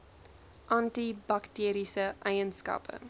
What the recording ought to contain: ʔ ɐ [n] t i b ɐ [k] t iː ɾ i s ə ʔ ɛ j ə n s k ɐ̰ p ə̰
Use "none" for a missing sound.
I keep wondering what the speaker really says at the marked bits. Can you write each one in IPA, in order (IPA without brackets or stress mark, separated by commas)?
n, k